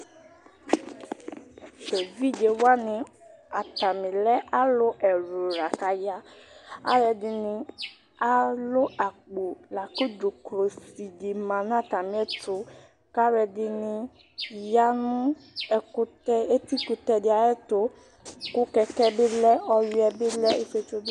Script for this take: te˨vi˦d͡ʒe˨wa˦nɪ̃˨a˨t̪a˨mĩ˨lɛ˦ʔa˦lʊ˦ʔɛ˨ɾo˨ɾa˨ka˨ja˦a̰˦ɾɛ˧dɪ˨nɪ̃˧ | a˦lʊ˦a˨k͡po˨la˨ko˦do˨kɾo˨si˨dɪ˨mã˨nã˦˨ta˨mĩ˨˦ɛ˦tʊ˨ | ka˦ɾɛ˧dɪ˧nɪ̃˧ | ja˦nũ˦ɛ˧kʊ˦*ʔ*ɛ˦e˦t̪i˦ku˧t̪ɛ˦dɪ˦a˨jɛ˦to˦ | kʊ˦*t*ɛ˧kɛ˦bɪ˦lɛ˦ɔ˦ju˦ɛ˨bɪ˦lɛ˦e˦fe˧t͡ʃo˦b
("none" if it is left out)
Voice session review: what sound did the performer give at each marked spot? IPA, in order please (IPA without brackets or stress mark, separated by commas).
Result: t, k